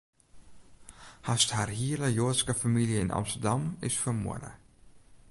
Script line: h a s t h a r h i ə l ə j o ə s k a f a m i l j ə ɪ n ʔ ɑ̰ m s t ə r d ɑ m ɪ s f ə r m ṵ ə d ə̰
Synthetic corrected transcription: h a s t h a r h i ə l ə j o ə s k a f a m i l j ə ɪ n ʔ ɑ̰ m s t ə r d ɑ m ɪ s f ə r m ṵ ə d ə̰